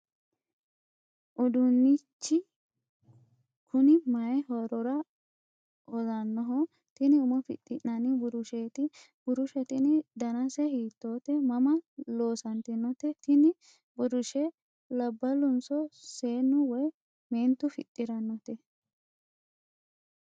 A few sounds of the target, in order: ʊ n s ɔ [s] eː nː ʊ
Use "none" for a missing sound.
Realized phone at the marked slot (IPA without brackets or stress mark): s